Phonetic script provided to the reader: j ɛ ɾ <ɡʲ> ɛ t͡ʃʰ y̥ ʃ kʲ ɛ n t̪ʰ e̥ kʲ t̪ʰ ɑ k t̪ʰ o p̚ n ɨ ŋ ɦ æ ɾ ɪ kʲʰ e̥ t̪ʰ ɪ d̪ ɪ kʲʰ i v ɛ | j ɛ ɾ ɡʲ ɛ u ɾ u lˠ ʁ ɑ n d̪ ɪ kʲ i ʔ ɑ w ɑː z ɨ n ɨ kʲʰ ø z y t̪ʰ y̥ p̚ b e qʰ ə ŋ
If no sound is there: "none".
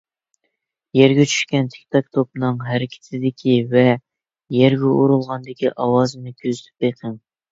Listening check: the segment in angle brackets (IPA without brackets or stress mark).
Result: ɡʲ